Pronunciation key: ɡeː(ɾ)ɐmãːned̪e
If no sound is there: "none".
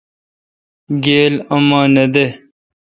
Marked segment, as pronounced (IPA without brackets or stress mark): l